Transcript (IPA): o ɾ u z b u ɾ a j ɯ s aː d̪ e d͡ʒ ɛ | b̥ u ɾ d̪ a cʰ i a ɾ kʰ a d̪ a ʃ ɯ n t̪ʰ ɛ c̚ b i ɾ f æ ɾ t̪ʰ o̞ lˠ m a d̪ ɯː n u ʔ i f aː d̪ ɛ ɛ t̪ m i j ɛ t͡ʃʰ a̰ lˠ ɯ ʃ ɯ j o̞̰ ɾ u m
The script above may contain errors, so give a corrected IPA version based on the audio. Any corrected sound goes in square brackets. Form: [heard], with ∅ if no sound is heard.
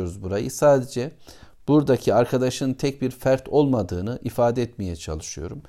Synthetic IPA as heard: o ɾ u z b u ɾ a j ɯ s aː d̪ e d͡ʒ ɛ | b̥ u ɾ d̪ a cʰ i a ɾ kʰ a d̪ a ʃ ɯ n t̪ʰ ɛ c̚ b i ɾ f æ ɾ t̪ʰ o̞ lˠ m a d̪ ɯː n [ɯ] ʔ i f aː d̪ ɛ ɛ t̪ m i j ɛ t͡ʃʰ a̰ lˠ ɯ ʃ ɯ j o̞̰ ɾ u m